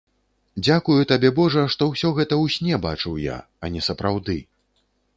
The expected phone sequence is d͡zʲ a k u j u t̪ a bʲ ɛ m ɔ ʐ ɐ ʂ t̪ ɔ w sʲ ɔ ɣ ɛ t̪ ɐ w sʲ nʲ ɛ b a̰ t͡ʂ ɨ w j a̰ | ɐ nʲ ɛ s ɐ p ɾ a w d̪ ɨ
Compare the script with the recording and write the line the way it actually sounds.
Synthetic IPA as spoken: d͡zʲ a k u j u t̪ a bʲ ɛ b ɔ ʐ ɐ ʂ t̪ ɔ w sʲ ɔ ɣ ɛ t̪ ɐ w sʲ nʲ ɛ b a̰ t͡ʂ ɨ w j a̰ | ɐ nʲ ɛ s ɐ p ɾ a w d̪ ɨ